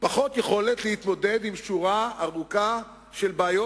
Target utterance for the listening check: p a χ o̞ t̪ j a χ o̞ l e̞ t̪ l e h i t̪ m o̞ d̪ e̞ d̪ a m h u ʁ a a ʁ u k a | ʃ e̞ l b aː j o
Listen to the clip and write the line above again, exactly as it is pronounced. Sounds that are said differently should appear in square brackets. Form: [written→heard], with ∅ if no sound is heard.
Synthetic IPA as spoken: p a χ o̞ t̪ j [a→e] χ o̞ l e̞ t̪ l e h i t̪ m o̞ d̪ e̞ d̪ [a→i] m [h→ʃ] u ʁ a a ʁ u k a | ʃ e̞ l b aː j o